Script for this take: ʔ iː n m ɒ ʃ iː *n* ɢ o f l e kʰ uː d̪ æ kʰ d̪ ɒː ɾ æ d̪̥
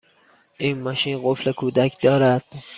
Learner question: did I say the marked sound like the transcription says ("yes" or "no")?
yes